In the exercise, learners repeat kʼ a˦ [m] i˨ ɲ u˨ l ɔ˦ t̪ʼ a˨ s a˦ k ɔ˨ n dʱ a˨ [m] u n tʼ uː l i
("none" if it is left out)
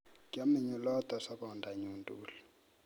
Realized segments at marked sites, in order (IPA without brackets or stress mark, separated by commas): m, ɲ